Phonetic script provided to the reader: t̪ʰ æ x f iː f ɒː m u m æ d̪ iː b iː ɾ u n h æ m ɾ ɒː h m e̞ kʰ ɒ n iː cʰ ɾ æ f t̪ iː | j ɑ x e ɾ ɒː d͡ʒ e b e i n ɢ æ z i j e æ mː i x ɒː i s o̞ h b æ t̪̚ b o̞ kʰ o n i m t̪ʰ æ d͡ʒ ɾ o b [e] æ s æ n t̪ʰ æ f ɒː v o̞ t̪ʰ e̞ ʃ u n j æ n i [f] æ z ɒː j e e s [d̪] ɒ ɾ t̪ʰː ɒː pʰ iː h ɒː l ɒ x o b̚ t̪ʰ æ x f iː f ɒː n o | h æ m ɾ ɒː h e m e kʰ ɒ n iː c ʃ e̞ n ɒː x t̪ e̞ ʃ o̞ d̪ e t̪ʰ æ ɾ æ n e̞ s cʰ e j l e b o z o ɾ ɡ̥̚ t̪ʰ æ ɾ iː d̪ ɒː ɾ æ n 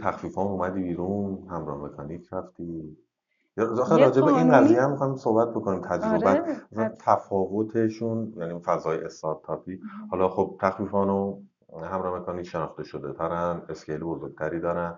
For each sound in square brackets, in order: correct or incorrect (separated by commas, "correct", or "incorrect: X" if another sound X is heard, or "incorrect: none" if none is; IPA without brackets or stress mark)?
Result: incorrect: æ, correct, incorrect: t̪